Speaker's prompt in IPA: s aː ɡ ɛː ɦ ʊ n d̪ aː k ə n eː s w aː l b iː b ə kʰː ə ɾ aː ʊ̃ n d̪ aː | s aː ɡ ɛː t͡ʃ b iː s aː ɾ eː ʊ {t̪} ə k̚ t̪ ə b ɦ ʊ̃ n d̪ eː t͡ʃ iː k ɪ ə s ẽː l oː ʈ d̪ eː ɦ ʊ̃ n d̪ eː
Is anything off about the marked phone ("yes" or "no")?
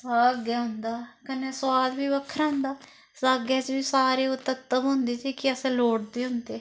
no